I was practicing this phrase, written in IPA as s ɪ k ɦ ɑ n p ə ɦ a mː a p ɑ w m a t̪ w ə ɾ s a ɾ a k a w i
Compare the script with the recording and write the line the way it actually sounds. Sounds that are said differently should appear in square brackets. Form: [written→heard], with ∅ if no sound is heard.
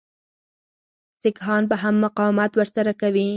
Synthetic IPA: s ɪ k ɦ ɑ n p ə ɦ a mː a [p→q] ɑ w m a t̪ w ə ɾ s a ɾ a k a w i